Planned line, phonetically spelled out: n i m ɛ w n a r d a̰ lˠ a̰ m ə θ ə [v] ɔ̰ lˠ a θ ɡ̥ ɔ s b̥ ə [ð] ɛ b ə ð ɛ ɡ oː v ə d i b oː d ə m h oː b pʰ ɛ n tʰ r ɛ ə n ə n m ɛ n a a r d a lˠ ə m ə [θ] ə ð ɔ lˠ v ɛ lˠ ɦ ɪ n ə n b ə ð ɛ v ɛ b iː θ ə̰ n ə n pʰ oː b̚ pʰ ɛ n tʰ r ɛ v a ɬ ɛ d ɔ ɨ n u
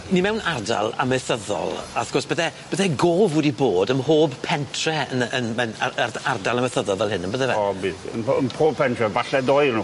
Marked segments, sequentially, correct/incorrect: incorrect: ð, correct, correct

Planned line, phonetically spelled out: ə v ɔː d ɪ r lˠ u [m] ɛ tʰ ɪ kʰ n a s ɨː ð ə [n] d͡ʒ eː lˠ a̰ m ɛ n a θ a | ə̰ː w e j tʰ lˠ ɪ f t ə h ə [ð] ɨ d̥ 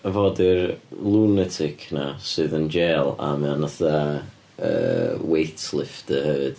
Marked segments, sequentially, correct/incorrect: incorrect: n, correct, incorrect: v

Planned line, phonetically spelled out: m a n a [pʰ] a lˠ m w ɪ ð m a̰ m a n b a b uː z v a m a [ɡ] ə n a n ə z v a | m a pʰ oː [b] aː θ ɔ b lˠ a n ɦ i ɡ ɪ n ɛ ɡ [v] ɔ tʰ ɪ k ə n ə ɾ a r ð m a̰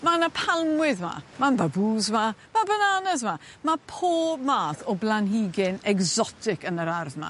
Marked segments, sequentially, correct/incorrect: correct, incorrect: b, incorrect: m, incorrect: z

